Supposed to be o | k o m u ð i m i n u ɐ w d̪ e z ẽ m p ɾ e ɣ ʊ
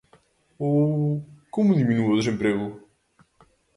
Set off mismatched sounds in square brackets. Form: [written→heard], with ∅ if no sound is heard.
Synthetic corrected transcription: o | k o m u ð i m i n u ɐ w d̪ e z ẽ m p ɾ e ɣ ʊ